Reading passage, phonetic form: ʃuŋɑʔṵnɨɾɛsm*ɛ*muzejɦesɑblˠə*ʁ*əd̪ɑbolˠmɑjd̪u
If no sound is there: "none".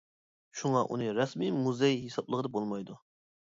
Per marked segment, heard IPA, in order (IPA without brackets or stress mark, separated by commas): i, ʁ